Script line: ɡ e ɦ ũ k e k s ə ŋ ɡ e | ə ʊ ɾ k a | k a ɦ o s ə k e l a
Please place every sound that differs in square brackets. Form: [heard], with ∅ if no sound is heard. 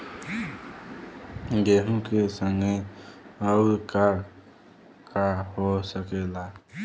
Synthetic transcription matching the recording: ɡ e ɦ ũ k e [∅] s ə ŋ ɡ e | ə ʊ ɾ k a | k a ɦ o s ə k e l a